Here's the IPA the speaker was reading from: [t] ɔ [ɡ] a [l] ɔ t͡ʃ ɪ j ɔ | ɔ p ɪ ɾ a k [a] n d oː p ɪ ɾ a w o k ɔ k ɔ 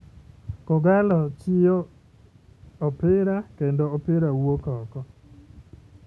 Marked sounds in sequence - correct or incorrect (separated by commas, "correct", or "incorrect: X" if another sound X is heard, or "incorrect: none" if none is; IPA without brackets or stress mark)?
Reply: incorrect: k, correct, correct, incorrect: e